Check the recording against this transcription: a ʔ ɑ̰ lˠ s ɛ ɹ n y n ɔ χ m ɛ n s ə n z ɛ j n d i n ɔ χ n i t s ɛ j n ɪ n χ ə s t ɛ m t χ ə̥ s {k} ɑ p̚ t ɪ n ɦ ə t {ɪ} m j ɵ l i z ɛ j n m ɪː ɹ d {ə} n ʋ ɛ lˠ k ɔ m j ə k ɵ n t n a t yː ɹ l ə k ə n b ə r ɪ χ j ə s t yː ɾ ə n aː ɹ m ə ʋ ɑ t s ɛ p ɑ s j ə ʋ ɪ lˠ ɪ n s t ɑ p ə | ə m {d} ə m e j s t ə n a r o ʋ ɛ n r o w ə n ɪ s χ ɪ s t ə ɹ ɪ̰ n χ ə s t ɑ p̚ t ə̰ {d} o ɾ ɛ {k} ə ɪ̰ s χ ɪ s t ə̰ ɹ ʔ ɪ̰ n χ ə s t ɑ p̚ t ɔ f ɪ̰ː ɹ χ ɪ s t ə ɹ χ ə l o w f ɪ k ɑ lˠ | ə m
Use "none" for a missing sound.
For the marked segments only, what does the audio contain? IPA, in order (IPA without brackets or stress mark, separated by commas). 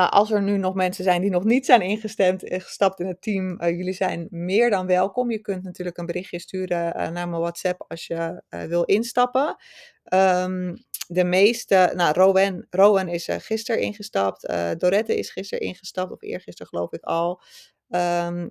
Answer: t, i, ɑ, d, d, t